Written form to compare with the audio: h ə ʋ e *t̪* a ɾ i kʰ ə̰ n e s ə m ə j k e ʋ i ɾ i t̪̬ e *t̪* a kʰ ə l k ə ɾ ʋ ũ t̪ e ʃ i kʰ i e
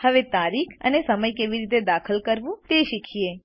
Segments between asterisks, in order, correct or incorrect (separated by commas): correct, incorrect